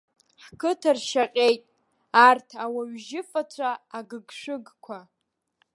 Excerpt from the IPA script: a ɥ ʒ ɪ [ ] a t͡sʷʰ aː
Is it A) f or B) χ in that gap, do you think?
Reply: A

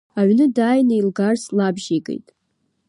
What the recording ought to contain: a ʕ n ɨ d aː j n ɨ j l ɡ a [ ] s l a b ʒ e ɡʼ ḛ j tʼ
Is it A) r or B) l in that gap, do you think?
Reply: A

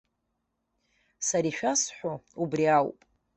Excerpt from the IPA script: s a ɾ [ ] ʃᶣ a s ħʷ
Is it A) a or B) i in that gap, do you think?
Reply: B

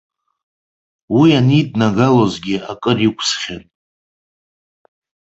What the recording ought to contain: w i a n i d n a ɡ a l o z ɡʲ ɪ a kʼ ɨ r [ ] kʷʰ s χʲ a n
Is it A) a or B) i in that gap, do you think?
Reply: B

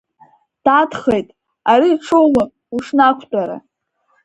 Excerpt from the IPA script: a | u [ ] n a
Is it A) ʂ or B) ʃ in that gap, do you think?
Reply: A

